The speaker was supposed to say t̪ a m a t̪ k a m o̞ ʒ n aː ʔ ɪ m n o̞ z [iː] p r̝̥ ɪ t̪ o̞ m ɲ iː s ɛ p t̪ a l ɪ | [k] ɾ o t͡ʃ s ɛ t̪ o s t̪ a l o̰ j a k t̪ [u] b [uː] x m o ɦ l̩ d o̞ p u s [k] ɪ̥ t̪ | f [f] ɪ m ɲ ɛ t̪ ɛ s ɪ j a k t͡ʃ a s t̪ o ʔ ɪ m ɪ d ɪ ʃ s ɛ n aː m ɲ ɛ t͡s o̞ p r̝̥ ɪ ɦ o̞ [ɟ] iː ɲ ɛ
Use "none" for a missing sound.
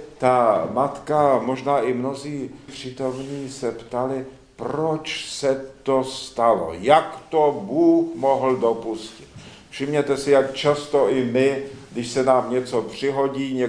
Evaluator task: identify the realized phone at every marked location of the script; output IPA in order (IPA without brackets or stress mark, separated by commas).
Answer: iː, p, o, uː, c, ʃ, ɟ